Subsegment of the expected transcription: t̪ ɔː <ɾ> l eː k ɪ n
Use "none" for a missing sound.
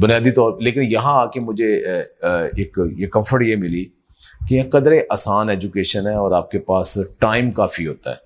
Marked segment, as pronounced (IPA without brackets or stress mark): ɾ